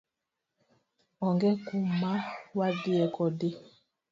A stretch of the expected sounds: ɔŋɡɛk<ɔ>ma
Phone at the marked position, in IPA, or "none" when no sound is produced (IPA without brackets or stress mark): u